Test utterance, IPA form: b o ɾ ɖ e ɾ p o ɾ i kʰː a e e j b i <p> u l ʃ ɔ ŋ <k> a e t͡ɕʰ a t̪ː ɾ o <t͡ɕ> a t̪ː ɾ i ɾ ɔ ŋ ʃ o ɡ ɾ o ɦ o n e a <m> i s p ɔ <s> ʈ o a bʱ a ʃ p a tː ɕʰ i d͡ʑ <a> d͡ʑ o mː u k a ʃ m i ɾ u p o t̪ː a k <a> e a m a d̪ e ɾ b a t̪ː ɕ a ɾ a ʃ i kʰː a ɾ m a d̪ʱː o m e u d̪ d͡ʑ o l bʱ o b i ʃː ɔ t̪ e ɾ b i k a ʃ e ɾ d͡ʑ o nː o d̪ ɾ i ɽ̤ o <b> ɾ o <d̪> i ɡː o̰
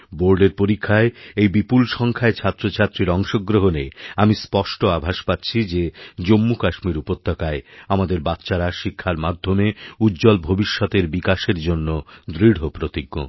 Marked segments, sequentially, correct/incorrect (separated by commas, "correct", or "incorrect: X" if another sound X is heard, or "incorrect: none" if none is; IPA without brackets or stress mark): correct, incorrect: kʰ, incorrect: t͡ɕʰ, correct, incorrect: ʃ, incorrect: e, correct, incorrect: p, incorrect: t̪